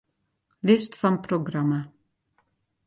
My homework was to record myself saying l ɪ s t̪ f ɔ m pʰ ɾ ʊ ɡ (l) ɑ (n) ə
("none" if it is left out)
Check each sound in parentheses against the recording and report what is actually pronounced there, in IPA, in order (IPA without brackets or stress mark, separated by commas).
ɾ, m